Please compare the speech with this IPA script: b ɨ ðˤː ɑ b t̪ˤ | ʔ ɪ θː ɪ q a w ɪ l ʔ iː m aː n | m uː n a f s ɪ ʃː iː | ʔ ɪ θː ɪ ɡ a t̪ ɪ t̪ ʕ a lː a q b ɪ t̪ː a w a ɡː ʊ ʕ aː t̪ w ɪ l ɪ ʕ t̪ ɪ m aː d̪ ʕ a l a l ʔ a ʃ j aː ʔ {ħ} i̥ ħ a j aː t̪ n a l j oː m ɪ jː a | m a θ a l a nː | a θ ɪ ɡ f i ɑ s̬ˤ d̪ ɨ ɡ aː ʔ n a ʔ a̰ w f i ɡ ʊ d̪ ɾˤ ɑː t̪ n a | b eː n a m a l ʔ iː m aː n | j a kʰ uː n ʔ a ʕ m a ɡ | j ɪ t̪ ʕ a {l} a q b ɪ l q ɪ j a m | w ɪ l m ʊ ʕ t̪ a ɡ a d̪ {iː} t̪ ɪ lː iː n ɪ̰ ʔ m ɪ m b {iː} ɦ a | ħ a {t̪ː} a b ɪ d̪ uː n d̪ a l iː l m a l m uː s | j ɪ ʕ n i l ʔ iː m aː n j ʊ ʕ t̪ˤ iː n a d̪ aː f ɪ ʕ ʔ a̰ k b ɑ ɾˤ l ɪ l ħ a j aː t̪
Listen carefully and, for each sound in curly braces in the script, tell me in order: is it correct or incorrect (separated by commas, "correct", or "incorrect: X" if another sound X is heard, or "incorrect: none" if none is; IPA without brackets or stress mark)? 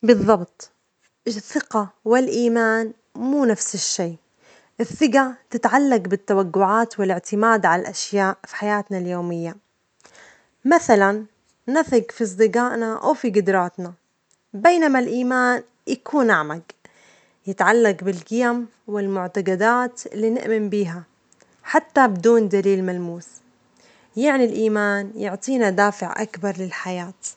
incorrect: f, incorrect: lː, incorrect: aː, correct, correct